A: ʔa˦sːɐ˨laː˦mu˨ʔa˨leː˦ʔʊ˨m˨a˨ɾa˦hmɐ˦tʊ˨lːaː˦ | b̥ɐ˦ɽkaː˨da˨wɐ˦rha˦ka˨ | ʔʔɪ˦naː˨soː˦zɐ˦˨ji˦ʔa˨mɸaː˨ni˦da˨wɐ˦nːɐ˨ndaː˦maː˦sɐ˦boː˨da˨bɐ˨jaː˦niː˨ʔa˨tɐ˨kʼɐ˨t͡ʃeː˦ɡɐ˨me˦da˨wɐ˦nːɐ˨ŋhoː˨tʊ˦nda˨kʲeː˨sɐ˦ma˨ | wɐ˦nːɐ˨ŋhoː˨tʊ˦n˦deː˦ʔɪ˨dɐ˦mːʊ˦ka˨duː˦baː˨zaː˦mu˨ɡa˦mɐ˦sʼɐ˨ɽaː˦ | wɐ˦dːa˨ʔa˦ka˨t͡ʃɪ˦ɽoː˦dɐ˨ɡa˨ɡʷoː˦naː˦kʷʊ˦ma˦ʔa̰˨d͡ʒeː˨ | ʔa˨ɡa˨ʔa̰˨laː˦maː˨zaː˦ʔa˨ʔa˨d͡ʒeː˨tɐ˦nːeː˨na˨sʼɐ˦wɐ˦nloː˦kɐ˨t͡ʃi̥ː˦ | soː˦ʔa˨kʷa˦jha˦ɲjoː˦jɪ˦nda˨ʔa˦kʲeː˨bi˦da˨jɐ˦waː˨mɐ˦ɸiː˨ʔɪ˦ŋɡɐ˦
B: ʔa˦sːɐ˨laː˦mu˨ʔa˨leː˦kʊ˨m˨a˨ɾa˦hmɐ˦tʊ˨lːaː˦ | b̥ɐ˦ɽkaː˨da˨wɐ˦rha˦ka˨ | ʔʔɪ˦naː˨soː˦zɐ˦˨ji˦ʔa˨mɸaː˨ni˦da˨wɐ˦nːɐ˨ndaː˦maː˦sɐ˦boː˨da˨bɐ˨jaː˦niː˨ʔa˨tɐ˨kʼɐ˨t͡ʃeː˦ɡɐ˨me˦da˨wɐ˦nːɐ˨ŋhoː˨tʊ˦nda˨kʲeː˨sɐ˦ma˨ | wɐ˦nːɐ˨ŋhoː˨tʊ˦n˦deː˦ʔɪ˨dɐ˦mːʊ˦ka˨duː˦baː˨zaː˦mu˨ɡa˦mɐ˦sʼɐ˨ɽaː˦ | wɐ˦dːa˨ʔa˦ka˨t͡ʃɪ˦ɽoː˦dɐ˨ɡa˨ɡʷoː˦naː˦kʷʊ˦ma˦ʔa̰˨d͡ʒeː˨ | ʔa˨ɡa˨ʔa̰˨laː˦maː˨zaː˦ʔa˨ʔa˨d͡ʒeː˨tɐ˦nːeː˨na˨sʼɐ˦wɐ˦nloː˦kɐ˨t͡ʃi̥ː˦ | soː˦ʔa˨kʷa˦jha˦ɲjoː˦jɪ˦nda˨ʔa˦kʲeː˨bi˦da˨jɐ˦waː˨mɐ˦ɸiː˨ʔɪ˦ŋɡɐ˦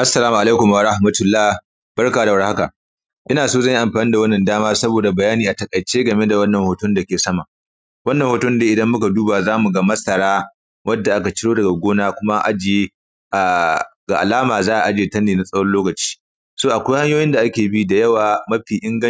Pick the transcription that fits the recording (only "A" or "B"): B